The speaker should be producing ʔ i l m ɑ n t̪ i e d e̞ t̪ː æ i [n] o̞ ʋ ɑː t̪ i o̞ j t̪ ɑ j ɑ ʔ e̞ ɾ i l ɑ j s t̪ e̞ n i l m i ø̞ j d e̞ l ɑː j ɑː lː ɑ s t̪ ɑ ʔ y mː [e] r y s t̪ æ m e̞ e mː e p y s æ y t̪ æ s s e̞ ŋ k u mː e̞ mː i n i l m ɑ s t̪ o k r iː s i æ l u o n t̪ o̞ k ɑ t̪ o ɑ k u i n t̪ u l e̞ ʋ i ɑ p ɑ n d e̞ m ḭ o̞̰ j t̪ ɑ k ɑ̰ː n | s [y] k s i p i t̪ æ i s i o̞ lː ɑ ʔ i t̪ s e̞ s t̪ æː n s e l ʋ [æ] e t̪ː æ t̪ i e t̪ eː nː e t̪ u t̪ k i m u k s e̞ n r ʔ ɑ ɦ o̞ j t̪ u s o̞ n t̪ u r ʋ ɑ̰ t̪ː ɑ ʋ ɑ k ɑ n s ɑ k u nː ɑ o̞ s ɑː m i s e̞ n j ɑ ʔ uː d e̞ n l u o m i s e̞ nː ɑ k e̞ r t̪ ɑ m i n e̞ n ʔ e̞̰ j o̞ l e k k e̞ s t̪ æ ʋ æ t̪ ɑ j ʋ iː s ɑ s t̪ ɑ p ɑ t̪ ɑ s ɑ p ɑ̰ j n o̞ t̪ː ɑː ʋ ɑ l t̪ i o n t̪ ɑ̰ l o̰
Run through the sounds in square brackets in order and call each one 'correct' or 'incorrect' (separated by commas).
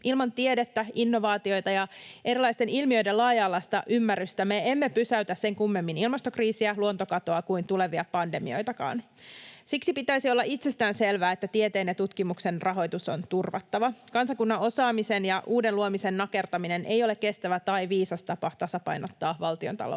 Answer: incorrect, incorrect, incorrect, incorrect